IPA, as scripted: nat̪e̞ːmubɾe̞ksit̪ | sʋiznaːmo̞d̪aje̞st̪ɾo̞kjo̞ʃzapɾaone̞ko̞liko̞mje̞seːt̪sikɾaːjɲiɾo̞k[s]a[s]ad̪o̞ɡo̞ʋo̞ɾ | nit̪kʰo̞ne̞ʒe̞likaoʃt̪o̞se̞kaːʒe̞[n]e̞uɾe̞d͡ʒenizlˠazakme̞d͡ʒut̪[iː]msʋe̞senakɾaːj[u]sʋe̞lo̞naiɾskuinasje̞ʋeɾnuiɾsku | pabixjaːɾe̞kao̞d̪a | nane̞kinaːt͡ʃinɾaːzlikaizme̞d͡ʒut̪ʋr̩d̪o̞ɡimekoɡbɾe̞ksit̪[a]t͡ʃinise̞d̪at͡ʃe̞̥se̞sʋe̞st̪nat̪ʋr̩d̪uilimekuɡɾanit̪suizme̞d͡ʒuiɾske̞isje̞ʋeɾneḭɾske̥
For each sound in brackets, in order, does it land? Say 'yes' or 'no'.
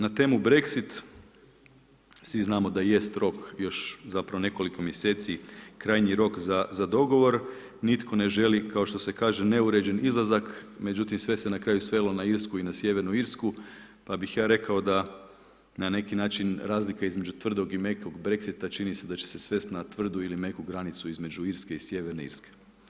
no, no, yes, no, yes, yes

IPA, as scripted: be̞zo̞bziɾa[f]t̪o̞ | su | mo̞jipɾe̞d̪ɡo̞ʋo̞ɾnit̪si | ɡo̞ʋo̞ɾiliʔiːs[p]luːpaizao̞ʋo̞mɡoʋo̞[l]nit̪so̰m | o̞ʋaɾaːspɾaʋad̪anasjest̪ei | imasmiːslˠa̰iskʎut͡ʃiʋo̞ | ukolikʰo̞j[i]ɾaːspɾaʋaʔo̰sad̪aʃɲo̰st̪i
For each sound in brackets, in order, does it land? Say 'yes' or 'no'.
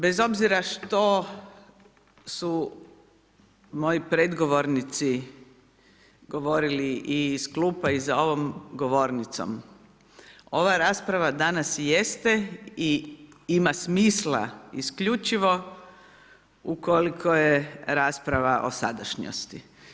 no, no, no, no

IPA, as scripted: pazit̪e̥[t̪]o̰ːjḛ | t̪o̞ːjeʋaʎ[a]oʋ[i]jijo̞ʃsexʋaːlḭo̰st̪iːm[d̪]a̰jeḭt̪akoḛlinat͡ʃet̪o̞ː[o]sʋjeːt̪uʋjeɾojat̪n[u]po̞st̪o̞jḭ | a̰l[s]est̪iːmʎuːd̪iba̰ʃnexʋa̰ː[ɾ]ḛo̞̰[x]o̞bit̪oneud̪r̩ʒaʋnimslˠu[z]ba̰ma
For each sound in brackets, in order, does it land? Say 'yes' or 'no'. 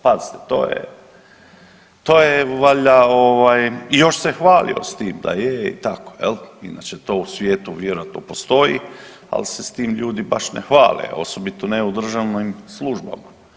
yes, yes, no, yes, no, no, yes, no, no, no

